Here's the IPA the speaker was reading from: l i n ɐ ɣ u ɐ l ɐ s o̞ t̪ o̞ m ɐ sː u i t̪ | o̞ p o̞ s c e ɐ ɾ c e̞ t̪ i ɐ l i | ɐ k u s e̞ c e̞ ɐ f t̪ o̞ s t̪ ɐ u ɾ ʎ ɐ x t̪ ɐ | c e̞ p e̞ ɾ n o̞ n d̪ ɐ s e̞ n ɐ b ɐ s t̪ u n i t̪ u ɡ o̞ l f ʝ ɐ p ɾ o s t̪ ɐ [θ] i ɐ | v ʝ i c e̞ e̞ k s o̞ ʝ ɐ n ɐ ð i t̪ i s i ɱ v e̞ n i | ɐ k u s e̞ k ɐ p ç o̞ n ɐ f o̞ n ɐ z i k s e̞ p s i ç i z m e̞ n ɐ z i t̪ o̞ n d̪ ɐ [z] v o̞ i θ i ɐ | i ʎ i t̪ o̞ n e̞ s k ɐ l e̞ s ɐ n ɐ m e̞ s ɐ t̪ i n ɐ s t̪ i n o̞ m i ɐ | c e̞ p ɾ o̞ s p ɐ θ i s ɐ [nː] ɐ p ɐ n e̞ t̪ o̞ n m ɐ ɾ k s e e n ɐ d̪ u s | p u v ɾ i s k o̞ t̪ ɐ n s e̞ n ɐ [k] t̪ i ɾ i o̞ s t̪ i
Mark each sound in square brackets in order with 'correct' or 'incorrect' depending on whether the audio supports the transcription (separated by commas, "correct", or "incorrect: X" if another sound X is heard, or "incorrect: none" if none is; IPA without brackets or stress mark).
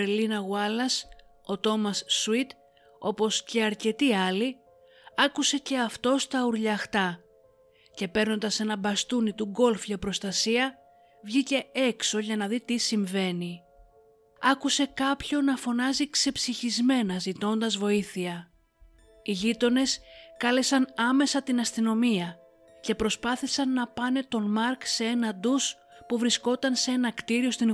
incorrect: s, correct, correct, correct